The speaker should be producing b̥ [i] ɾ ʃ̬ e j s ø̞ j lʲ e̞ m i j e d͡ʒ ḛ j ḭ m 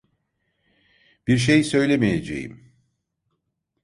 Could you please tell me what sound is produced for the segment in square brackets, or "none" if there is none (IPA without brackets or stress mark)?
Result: i